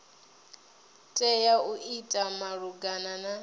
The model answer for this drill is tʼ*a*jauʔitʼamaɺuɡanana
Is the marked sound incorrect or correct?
incorrect